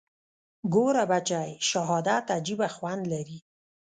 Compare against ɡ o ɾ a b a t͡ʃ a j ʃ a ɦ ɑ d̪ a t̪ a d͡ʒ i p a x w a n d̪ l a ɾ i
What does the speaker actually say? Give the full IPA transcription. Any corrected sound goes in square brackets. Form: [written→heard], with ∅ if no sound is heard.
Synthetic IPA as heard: ɡ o ɾ a b a t͡ʃ a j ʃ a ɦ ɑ d̪ a t̪ a d͡ʒ i [p→b] a x w a n d̪ l a ɾ i